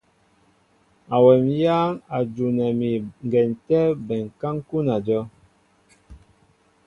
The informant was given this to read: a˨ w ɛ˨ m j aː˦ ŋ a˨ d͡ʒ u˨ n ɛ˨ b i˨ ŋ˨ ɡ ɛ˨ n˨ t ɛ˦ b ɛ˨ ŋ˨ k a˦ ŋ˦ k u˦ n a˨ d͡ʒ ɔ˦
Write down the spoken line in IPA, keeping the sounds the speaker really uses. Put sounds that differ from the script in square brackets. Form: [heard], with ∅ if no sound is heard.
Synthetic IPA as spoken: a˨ w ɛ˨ m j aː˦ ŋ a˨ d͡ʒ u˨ n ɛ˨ [m] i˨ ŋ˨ ɡ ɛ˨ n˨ t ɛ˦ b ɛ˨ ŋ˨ k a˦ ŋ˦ k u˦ n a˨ d͡ʒ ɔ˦